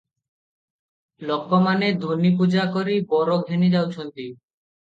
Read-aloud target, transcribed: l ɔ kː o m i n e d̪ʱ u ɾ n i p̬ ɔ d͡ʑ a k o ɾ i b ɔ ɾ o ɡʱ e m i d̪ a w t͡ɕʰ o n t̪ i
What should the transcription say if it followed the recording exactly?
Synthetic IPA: l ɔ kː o m a n e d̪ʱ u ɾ n i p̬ u d͡ʑ a k o ɾ i b ɔ ɾ o ɡʱ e n i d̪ a w t͡ɕʰ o n t̪ i